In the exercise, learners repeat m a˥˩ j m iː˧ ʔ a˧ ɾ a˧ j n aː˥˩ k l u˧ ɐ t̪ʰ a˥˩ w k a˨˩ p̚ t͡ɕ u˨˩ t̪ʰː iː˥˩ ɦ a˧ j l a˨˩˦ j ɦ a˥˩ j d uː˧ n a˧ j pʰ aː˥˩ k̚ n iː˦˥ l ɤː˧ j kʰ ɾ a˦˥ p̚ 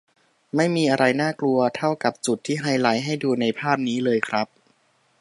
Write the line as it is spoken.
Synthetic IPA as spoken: m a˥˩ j m iː˧ ʔ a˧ ɾ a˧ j n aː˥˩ k l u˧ ɐ t̪ʰ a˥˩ w k a˨˩ p̚ t͡ɕ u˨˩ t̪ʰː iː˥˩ ɦ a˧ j l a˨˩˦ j ɦ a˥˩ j d uː˧ n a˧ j pʰ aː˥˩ p̚ n iː˦˥ l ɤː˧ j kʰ ɾ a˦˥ p̚